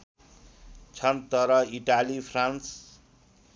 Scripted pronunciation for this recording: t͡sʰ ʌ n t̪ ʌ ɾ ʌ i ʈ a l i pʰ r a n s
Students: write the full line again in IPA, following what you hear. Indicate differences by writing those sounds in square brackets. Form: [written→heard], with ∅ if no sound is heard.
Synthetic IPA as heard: t͡sʰ ʌ n t̪ ʌ ɾ ʌ i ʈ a l i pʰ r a n s